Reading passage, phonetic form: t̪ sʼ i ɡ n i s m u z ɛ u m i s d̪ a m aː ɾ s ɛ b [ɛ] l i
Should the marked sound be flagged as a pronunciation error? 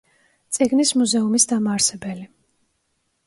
no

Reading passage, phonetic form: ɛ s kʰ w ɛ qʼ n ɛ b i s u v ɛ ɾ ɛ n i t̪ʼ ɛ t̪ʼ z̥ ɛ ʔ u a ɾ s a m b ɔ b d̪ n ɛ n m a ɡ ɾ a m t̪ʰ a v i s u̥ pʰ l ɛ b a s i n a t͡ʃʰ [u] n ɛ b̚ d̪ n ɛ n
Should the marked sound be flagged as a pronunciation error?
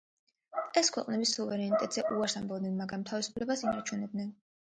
no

